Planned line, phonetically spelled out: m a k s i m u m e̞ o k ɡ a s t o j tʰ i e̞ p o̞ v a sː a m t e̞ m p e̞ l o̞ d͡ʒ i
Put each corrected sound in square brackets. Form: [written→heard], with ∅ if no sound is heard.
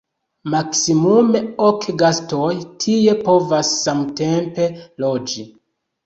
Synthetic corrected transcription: m a k s i m u m e̞ o k ɡ a s t o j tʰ i e̞ p o̞ v a sː a m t e̞ m p e̞ l o̞ d͡ʒ i